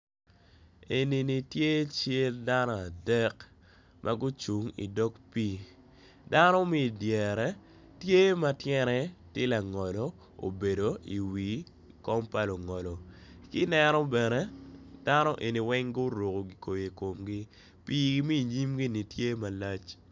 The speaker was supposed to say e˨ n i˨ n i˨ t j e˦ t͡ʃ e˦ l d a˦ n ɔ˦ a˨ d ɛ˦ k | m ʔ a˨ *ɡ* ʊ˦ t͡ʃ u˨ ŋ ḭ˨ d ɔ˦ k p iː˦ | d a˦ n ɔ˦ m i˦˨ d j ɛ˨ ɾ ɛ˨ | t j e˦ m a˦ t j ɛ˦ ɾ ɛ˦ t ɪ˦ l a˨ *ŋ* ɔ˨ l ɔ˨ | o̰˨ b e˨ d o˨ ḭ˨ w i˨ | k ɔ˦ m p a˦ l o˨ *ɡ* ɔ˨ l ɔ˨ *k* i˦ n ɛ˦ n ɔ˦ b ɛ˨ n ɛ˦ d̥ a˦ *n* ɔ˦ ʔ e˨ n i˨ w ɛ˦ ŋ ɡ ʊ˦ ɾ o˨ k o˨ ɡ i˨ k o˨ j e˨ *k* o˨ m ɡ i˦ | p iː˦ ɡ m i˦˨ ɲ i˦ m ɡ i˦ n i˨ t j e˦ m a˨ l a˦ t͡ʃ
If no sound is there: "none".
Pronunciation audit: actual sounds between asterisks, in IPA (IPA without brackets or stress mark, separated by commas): ɡ, ŋ, ŋ, k, n, k